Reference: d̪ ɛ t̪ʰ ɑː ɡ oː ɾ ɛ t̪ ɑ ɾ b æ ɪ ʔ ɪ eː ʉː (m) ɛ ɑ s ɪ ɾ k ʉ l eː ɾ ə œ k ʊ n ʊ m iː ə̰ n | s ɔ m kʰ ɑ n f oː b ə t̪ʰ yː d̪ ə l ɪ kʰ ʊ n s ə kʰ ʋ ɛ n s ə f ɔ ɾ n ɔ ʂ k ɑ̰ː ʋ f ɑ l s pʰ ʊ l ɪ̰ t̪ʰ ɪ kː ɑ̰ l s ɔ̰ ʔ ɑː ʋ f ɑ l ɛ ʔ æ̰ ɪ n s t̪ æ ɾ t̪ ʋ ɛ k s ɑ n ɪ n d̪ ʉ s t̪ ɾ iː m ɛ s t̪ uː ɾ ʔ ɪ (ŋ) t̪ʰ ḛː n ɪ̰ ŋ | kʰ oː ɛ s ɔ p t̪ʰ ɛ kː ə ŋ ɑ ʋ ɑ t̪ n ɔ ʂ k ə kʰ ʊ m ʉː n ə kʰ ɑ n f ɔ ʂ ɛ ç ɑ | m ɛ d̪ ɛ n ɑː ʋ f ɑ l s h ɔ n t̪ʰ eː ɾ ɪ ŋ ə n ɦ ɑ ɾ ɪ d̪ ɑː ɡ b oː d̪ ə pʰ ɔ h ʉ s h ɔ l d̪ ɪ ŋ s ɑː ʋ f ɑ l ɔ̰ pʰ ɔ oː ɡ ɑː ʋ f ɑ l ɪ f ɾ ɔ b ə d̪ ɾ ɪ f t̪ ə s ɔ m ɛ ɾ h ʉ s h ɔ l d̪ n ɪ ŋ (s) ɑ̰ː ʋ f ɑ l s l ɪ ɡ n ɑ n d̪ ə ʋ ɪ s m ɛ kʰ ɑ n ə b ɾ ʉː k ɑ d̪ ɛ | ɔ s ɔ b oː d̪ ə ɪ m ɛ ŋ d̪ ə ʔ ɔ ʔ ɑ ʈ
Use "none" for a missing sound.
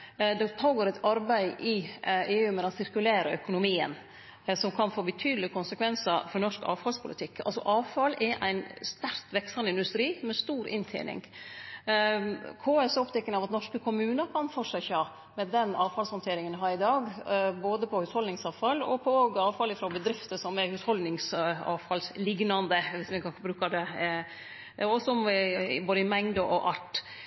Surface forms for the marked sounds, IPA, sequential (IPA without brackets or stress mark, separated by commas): m, n, s